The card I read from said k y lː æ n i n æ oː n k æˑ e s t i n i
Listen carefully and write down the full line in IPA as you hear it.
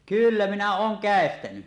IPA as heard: k y lː æ m i n æ oː ŋ k æˑ e s t æ n y